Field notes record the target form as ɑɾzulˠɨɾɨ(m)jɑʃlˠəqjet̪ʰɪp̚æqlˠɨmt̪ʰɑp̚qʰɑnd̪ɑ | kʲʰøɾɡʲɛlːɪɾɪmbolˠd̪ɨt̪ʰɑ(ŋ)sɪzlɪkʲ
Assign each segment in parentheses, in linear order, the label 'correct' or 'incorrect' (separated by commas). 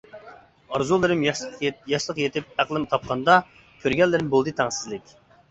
correct, correct